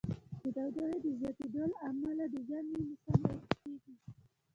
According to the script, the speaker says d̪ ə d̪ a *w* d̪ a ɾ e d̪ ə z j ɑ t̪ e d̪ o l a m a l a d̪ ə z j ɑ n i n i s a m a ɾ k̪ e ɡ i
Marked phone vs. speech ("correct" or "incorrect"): correct